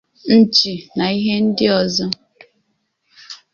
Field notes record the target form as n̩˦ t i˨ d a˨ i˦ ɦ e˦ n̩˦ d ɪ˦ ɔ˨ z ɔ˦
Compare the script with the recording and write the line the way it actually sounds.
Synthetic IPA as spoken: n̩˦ t͡ʃ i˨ n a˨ i˦ ɦ e˦ n̩˦ d ɪ˦ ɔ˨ z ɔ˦